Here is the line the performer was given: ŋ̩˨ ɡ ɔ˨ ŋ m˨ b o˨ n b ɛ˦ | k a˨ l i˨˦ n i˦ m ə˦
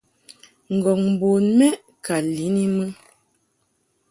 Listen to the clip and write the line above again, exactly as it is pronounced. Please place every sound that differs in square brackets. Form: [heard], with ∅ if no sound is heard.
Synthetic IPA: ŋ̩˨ ɡ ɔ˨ ŋ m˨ b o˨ n [m] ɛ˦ | k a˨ l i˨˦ n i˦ m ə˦